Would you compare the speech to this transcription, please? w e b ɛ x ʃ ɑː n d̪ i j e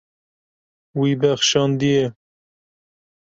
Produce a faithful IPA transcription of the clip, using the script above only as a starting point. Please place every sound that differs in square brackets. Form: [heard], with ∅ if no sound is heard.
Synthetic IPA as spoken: w [i] b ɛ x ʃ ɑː n d̪ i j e